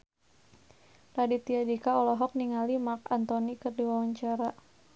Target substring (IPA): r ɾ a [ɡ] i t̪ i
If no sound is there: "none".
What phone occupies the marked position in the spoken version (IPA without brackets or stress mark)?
d